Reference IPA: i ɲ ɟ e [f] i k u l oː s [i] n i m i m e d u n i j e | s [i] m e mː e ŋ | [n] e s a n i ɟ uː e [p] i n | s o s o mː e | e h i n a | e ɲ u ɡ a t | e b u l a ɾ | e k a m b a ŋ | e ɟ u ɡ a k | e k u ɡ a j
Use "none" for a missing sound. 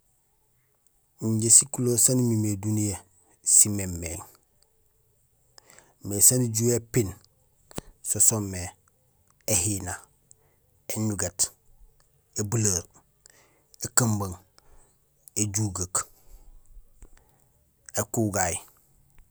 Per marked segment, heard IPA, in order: s, a, i, m, p

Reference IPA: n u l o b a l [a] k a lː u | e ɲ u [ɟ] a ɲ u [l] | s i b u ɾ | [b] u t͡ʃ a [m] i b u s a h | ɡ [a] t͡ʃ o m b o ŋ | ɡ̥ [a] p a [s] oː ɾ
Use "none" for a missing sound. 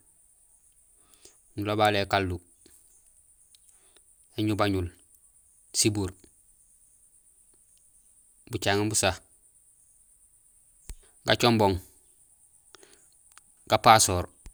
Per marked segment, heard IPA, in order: e, b, l, b, ŋ, a, a, s

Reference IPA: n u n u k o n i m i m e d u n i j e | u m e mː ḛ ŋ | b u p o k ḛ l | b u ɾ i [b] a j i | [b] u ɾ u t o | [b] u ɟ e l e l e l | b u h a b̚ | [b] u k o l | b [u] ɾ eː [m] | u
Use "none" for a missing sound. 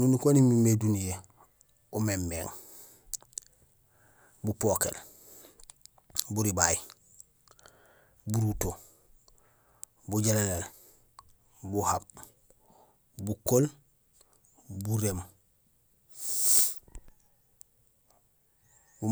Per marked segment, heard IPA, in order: b, b, b, b, u, m

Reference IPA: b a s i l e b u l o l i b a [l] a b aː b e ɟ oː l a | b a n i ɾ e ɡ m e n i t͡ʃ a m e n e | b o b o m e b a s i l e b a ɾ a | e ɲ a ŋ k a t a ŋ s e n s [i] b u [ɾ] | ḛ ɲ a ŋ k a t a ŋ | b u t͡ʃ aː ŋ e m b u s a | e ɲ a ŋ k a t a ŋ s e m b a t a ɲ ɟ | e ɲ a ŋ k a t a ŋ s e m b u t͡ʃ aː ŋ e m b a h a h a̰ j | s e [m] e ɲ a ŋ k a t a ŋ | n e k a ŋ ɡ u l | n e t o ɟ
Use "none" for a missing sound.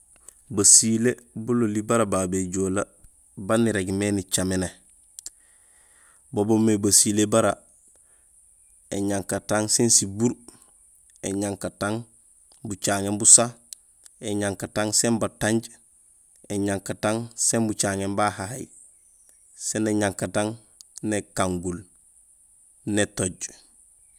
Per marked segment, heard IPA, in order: ɾ, i, ɾ, n

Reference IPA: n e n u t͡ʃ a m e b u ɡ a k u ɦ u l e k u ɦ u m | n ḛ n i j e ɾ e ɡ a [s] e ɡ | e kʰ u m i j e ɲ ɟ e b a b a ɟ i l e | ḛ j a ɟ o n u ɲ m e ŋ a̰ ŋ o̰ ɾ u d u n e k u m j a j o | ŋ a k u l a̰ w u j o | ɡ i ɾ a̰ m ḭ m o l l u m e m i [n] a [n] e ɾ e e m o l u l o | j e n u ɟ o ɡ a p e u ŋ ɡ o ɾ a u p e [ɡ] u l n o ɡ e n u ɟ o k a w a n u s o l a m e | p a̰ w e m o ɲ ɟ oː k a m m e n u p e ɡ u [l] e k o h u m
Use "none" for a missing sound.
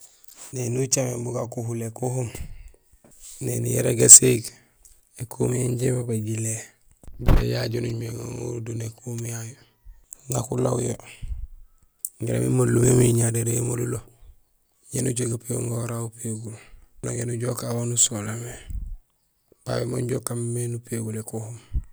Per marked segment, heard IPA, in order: s, ɲ, d, ɡ, l

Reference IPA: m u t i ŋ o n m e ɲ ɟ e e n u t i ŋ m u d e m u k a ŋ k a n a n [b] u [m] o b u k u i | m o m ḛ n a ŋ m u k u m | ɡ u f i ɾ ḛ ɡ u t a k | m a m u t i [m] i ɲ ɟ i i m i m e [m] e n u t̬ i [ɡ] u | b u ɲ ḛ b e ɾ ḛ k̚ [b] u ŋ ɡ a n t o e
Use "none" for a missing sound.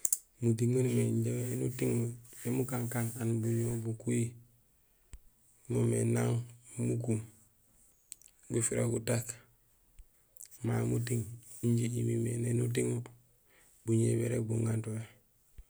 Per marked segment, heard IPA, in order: b, ɲ, ŋ, n, ŋ, b

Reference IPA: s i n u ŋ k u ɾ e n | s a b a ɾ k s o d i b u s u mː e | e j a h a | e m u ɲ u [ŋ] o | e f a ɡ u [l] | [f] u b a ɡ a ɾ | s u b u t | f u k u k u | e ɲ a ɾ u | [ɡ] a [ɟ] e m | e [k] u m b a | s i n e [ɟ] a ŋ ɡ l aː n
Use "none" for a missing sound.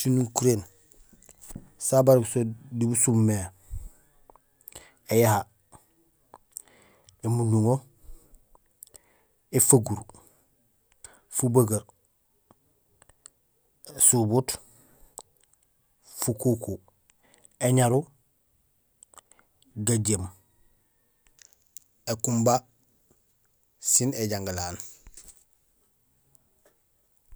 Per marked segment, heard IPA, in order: ŋ, ɾ, f, ɡ, ɟ, k, ɟ

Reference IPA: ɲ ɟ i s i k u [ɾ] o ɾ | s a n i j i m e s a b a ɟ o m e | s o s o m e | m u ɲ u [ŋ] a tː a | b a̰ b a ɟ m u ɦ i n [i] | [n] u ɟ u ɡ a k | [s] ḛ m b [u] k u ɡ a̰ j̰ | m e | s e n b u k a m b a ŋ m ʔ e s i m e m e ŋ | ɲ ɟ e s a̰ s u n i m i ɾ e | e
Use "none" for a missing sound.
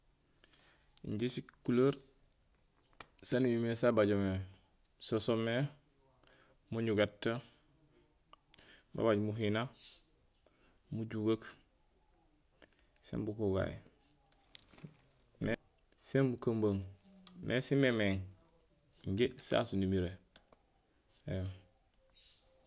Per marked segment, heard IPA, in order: l, ɡ, a, m, s, u

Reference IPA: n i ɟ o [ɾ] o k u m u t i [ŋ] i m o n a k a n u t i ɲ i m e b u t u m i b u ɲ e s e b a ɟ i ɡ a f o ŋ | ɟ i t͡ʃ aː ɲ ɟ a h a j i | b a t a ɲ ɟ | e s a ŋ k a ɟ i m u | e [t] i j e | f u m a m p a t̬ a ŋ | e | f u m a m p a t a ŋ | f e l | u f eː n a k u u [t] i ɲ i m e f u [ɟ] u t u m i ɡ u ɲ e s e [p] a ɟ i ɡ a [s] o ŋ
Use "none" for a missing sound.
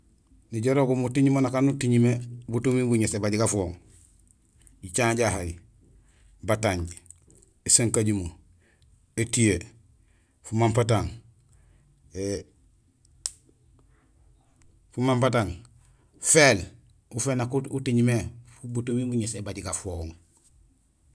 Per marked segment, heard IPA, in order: ɾ, ɲ, t, t, b, b, f

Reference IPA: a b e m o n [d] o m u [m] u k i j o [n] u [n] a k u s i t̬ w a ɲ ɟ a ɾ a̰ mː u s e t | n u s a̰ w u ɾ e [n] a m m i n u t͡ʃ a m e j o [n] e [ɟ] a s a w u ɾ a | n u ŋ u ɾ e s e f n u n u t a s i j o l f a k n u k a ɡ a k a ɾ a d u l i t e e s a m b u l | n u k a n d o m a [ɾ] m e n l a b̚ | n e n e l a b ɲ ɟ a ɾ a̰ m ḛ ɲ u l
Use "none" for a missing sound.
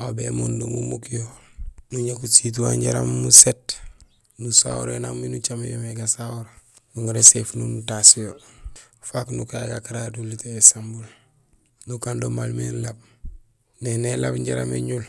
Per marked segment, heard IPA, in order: d, m, n, ɲ, n, m, ɡ, l

